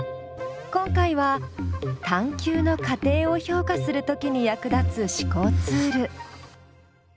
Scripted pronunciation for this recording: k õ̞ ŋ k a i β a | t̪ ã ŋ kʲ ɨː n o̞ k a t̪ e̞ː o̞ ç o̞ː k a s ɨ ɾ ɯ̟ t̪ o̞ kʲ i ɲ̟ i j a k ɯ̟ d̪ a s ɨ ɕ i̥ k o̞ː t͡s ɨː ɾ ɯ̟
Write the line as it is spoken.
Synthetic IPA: k õ̞ ŋ k a i β a | t̪ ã ŋ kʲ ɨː n o̞ k a t̪ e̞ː o̞ ç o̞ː k a s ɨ ɾ ɯ̟ t̪ o̞ kʲ i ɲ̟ i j a k ɯ̟ d̪ a t͡s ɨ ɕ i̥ k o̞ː t͡s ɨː ɾ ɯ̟